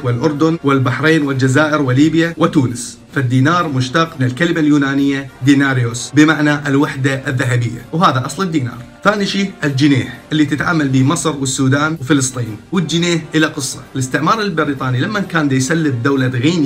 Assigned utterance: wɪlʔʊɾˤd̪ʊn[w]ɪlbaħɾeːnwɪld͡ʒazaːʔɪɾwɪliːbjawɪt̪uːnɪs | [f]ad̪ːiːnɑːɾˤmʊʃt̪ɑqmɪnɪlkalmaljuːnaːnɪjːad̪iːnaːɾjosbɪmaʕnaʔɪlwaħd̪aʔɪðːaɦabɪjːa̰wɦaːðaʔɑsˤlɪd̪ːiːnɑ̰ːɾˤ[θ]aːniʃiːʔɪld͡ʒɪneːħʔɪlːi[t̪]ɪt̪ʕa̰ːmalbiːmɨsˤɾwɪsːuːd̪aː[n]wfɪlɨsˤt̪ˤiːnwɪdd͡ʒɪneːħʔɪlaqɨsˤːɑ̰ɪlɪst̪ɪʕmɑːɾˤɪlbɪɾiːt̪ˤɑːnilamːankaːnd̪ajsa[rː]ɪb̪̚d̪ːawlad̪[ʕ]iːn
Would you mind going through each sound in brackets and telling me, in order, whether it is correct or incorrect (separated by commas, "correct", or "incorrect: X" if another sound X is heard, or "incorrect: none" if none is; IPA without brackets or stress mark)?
correct, correct, correct, correct, correct, incorrect: lː, incorrect: ɣ